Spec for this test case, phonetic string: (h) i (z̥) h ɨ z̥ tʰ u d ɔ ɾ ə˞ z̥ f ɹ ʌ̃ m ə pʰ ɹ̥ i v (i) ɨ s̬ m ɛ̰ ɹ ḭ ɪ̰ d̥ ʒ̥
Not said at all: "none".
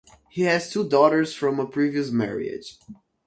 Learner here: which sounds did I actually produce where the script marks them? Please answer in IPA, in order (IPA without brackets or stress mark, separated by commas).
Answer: h, none, i